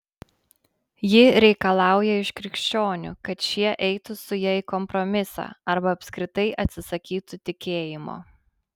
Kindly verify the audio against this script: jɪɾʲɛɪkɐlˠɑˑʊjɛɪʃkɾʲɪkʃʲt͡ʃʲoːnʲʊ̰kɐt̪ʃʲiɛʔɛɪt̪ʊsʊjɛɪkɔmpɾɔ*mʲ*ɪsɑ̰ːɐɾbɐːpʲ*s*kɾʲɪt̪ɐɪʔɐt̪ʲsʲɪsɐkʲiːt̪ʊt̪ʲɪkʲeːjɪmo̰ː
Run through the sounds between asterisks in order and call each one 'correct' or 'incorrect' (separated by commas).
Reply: correct, correct